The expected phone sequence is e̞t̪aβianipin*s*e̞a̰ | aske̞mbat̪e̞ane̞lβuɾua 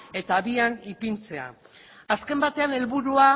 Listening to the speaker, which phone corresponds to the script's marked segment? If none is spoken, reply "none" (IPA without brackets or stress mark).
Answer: t͡s